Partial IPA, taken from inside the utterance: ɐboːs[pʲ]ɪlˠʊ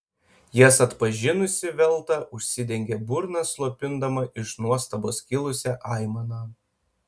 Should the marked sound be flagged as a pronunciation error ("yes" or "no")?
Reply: yes